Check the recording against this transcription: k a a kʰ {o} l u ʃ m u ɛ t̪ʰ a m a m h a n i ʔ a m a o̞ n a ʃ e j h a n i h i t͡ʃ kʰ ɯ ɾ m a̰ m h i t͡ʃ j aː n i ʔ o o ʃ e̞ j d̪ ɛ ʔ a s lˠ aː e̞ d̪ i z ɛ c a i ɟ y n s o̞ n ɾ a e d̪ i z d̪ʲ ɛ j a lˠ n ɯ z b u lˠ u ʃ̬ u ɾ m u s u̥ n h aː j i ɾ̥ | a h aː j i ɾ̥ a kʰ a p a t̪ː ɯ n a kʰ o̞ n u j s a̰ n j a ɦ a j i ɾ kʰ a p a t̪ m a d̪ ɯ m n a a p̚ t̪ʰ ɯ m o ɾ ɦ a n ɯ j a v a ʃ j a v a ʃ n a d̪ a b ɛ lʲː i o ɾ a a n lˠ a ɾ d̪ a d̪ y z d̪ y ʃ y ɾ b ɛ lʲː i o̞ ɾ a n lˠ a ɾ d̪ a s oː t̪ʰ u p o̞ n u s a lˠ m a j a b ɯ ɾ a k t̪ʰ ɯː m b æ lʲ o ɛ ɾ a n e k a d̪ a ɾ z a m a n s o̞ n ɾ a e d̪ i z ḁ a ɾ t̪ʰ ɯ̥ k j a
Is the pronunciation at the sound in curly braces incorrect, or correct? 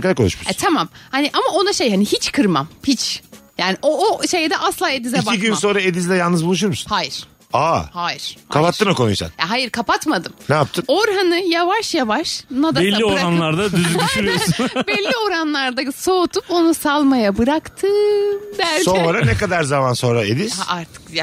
correct